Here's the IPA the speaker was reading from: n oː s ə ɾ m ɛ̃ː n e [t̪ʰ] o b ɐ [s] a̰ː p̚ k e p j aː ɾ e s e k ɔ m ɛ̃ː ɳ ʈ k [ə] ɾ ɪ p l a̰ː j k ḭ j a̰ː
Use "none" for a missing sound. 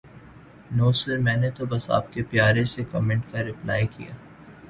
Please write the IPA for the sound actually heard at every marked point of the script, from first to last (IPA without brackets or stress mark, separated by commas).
t̪, s, a